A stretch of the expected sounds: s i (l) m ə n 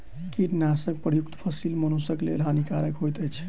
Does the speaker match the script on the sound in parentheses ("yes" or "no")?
yes